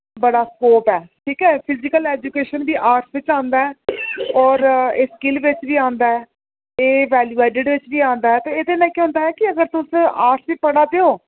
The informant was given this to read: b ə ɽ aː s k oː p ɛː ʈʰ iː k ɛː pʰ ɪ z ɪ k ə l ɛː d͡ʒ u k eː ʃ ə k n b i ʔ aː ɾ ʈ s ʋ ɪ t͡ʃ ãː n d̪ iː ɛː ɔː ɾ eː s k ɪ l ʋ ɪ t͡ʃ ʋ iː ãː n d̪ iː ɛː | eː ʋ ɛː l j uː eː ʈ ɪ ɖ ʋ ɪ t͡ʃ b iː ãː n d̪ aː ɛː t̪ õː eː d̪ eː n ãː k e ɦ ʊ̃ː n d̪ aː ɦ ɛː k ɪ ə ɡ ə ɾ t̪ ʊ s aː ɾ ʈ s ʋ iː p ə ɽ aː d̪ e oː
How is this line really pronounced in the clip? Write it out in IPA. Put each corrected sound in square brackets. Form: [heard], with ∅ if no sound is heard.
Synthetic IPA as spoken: b ə ɽ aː s k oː p ɛː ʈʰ iː k ɛː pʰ ɪ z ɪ k ə l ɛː d͡ʒ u k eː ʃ ə [∅] n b [iː] ʔ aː ɾ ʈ s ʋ ɪ t͡ʃ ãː n d̪ [aː] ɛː ɔː ɾ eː s k ɪ l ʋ ɪ t͡ʃ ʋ iː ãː n d̪ [aː] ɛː | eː ʋ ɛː l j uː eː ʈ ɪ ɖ ʋ ɪ t͡ʃ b iː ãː n d̪ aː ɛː t̪ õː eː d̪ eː n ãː k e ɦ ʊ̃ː n d̪ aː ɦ ɛː k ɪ ə ɡ ə ɾ t̪ ʊ s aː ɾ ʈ s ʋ iː p ə ɽ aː d̪ e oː